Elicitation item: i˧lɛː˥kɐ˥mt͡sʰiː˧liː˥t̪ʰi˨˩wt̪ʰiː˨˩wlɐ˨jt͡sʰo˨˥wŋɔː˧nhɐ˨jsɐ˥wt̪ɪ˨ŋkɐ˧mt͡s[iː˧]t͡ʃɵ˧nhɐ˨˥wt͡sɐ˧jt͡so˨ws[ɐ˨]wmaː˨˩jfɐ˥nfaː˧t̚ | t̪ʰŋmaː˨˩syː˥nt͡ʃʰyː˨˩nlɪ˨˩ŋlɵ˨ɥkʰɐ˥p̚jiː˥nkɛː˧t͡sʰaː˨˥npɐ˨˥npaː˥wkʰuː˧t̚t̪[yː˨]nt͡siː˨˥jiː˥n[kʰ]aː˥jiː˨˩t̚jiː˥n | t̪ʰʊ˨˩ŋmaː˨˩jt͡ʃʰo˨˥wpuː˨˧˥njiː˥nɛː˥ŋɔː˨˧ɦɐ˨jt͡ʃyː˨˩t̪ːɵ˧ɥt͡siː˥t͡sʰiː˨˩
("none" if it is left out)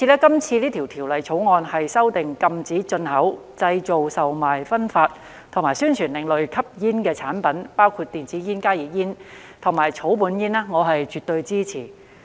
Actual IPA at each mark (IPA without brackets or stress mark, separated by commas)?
iː˨˥, ɐ˨, iː˨, k